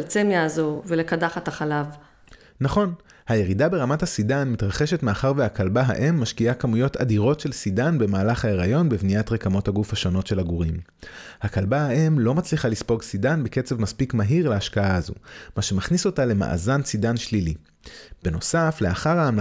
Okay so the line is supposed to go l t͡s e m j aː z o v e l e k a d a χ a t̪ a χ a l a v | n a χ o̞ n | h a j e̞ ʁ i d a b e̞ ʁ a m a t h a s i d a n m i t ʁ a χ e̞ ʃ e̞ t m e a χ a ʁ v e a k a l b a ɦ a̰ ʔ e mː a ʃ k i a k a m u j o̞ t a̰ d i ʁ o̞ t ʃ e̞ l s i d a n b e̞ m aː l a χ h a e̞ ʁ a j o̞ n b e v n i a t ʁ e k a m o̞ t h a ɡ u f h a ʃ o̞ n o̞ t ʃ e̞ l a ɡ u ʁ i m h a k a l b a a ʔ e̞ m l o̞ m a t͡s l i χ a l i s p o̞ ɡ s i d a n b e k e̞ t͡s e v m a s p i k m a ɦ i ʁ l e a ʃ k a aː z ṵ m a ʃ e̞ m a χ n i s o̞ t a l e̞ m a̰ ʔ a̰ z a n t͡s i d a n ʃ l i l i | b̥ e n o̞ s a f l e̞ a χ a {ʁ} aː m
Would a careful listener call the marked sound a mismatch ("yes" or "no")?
no